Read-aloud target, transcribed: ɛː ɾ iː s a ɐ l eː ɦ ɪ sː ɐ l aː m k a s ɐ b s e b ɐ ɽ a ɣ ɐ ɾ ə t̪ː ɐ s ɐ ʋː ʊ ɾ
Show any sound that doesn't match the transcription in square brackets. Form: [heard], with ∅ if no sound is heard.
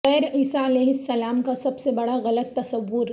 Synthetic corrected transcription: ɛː ɾ iː s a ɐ l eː ɦ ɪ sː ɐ l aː m k a s ɐ b s e b ɐ ɽ a ɣ ɐ [l] ə t̪ː ɐ s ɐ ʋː ʊ ɾ